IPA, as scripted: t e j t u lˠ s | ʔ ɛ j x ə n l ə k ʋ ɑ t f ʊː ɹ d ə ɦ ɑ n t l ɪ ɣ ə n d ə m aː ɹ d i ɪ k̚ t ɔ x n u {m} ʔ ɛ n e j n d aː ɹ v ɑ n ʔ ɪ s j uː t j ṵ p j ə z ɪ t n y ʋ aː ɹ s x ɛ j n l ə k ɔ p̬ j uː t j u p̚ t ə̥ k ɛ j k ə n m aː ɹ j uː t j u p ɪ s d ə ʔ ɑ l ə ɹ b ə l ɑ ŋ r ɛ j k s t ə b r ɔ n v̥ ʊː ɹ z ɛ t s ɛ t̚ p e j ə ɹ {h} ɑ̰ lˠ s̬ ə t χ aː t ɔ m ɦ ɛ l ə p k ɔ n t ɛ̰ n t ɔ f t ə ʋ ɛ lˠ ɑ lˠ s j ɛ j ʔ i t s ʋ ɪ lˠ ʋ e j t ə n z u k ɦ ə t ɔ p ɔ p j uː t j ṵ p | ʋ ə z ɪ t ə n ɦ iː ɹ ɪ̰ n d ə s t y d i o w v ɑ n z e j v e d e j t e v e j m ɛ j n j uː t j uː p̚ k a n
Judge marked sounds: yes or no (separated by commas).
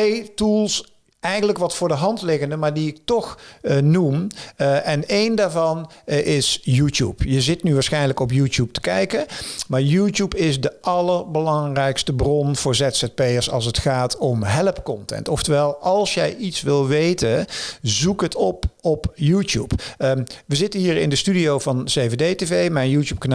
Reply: yes, no